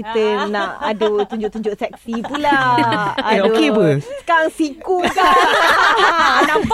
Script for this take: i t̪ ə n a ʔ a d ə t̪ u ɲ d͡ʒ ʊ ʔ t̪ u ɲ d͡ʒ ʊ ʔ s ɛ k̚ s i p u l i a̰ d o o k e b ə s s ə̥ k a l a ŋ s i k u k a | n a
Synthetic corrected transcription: i t̪ ə n a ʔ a d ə t̪ u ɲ d͡ʒ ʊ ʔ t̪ u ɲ d͡ʒ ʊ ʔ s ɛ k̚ s i p u l a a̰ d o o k e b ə s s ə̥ k a ɾ a ŋ s i k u k a | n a